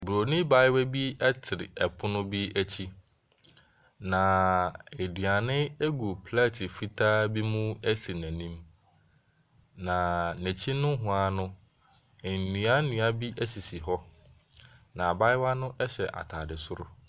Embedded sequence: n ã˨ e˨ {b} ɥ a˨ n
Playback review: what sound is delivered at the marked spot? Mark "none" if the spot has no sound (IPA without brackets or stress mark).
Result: d